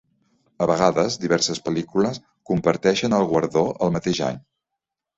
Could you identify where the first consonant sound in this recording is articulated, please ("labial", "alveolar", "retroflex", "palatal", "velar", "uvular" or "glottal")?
labial